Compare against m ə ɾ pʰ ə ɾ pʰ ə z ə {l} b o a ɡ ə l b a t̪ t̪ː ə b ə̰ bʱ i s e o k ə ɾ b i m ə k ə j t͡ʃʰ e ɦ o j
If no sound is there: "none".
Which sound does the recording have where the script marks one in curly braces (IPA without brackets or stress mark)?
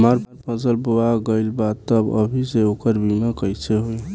l